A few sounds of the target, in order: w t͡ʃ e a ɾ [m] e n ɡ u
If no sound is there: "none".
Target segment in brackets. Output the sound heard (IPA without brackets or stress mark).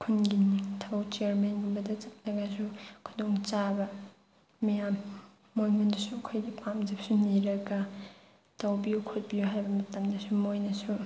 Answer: m